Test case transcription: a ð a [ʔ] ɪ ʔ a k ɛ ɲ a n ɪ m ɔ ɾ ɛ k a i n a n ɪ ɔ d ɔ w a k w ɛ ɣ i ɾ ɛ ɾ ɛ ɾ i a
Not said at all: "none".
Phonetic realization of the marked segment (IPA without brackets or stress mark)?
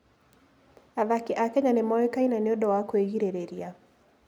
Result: k